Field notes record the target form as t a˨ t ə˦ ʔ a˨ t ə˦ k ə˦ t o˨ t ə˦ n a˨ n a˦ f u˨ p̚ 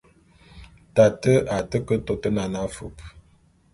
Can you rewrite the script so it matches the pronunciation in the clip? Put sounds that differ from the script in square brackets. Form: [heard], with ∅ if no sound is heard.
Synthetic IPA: t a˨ t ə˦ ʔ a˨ t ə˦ k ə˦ t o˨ t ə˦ n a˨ n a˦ f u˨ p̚